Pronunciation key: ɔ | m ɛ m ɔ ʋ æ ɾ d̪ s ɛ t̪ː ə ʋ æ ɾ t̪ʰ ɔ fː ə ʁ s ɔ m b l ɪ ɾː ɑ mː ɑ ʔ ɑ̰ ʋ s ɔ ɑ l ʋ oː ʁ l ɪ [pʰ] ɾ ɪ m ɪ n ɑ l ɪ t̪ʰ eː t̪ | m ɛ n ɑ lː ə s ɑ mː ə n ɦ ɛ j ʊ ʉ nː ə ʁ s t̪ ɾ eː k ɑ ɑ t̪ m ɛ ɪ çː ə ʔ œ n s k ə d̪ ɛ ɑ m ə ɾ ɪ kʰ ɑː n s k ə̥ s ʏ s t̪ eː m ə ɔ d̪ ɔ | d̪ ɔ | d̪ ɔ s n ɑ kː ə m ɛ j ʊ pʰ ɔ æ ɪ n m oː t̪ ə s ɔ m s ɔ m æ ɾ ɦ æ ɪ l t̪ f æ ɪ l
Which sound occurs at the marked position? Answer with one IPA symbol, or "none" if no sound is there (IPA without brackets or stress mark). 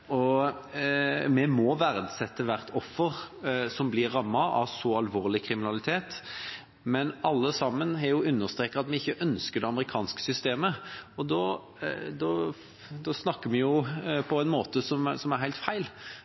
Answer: kʰ